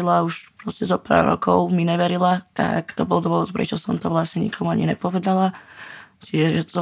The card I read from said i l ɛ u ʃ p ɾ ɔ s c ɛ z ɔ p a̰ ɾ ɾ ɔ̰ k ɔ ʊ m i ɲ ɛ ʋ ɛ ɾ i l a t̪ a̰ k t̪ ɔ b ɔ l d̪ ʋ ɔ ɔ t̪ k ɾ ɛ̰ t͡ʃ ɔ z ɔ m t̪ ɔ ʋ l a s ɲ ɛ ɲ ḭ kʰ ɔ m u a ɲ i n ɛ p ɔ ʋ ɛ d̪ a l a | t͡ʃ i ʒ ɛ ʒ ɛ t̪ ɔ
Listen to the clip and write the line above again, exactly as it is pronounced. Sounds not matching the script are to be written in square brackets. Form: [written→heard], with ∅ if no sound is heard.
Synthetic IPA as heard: i l [ɛ→a] u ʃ p ɾ ɔ s c ɛ z ɔ p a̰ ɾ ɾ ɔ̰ k ɔ ʊ m i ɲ ɛ ʋ ɛ ɾ i l a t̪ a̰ k t̪ ɔ b ɔ l d̪ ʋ ɔ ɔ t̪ [k→p] ɾ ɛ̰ t͡ʃ ɔ [z→s] ɔ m t̪ ɔ ʋ l a s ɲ ɛ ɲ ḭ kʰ ɔ m u a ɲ i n ɛ p ɔ ʋ ɛ d̪ a l a | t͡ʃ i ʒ ɛ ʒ ɛ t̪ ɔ